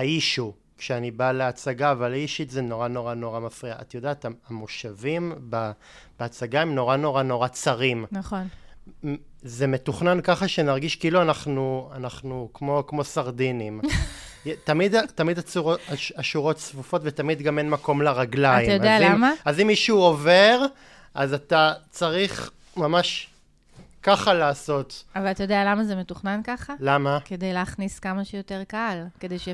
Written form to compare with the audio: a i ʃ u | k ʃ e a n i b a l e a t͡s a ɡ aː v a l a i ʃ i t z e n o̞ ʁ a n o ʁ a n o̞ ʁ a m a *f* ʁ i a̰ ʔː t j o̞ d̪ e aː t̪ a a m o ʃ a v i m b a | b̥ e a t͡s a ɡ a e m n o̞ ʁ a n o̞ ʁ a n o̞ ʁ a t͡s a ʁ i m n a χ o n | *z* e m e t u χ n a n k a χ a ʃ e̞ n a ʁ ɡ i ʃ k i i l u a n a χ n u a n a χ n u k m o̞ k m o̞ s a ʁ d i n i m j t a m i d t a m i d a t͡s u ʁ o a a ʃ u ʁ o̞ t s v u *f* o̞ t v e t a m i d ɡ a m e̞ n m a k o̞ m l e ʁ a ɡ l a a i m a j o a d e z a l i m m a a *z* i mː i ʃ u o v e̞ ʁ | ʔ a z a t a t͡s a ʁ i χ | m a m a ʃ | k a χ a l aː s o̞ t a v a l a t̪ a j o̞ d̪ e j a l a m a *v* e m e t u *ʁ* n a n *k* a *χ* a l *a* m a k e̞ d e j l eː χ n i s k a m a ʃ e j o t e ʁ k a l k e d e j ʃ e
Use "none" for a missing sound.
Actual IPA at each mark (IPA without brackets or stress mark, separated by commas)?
f, z, f, z, z, χ, k, χ, a